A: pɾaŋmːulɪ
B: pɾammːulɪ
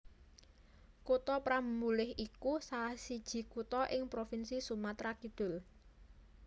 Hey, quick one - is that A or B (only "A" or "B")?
B